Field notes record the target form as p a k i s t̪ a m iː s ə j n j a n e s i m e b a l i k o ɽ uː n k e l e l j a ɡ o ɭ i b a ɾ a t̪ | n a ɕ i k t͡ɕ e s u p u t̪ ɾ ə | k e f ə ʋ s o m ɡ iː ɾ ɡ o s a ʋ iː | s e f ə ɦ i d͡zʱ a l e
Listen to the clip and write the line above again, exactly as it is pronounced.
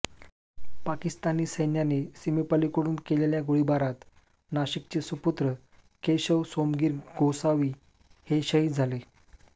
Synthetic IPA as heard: p a k i s t̪ a n iː s ə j n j a n e s i m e p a l i k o ɽ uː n k e l e l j a ɡ o ɭ i b a ɾ a t̪ | n a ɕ i k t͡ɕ e s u p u t̪ ɾ ə | k e ɕ ə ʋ s o m ɡ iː ɾ ɡ o s a ʋ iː | h e ɕ ə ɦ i d͡zʱ a l e